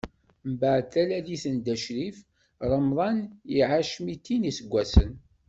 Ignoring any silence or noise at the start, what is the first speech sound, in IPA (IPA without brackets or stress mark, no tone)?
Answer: m